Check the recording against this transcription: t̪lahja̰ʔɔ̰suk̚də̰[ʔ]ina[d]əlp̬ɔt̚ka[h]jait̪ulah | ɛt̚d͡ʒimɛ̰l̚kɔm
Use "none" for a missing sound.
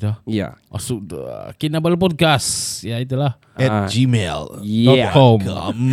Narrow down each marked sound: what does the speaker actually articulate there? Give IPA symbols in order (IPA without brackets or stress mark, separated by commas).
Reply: k, b, s